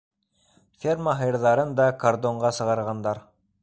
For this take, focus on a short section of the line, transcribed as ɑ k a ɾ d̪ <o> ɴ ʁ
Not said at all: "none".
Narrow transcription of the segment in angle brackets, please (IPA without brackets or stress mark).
o